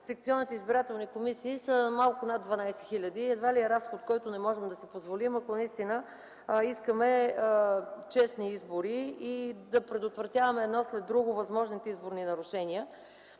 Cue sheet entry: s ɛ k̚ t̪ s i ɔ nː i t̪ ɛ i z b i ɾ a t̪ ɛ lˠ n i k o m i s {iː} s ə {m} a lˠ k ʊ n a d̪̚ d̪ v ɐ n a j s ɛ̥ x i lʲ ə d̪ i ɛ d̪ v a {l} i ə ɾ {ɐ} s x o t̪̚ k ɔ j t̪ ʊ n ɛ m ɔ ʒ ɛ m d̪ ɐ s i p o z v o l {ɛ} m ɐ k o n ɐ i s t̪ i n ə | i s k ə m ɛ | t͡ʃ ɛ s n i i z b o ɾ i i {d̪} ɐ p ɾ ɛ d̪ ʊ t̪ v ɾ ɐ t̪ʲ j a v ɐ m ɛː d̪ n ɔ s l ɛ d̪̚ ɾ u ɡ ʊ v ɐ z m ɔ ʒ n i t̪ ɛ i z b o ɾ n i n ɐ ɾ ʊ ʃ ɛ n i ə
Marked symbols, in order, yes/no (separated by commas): yes, yes, yes, no, no, yes